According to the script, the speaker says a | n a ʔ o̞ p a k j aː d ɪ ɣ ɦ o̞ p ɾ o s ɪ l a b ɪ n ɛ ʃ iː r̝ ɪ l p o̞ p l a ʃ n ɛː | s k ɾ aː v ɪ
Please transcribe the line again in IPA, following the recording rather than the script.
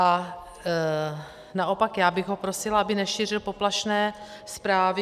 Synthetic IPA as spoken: a | n a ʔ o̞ p a k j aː b ɪ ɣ ɦ o̞ p ɾ o s ɪ l a b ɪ n ɛ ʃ iː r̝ ɪ l p o̞ p l a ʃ n ɛː | s p ɾ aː v ɪ